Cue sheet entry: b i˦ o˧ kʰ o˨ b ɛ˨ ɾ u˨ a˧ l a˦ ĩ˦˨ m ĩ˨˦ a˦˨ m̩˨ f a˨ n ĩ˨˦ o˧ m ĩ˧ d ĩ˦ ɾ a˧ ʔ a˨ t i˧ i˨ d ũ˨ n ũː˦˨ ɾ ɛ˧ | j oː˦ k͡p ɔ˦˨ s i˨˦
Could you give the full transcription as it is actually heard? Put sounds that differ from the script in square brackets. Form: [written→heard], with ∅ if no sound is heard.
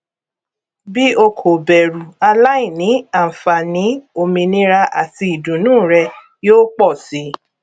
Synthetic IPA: b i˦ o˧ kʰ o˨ b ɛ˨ ɾ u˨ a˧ l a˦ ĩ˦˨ [m→n] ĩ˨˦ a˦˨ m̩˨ f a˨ n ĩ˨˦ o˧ m ĩ˧ [d→n] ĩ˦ ɾ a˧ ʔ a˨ t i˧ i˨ d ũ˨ n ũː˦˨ ɾ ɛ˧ | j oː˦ k͡p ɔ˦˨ s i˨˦